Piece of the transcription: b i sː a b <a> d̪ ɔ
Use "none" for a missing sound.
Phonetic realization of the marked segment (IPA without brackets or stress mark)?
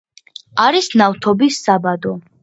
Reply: a